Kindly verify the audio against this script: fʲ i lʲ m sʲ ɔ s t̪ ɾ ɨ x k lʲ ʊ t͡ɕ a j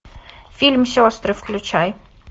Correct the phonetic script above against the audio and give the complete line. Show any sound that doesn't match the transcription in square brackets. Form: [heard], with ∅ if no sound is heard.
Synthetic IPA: fʲ i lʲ m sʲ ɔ s t̪ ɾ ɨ [f] k lʲ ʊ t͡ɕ a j